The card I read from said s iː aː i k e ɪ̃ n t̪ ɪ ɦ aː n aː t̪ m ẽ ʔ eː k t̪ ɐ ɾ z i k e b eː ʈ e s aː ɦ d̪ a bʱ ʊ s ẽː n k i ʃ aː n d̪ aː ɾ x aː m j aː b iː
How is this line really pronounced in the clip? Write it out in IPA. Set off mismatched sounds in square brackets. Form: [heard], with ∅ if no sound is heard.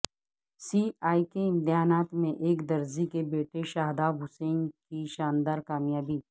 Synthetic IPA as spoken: s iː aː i k e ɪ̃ n t̪ ɪ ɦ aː n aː t̪ m ẽ ʔ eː k [d̪] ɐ ɾ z i k e b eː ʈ e [ʃ] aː ɦ d̪ a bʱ ʊ s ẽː n k i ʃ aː n d̪ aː ɾ [k] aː m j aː b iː